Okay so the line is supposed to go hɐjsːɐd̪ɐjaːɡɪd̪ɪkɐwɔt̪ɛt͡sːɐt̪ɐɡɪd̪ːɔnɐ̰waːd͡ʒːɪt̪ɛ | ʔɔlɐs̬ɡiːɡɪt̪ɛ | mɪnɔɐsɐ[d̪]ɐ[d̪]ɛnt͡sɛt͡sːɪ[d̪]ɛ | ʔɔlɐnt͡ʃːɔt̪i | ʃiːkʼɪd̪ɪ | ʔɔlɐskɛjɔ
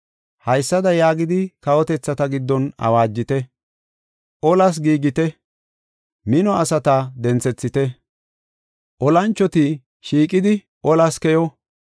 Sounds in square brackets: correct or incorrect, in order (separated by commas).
incorrect, correct, incorrect